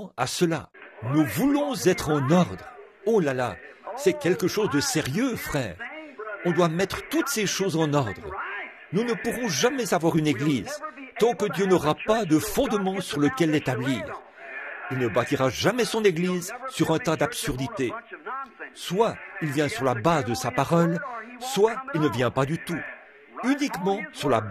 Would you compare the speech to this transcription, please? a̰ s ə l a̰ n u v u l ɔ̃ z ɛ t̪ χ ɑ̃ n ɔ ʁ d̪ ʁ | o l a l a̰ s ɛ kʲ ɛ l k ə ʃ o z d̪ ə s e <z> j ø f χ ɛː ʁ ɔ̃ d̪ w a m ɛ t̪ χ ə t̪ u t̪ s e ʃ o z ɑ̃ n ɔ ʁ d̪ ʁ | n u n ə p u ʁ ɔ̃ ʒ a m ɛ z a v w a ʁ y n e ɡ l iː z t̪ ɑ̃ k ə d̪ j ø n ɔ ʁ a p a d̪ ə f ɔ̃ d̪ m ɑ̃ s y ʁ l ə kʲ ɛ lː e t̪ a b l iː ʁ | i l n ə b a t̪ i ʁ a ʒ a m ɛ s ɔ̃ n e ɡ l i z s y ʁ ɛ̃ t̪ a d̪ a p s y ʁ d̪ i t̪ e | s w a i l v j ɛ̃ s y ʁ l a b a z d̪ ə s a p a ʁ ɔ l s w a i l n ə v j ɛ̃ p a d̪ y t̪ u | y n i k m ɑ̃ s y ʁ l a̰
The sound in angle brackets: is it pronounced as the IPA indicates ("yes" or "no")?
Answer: no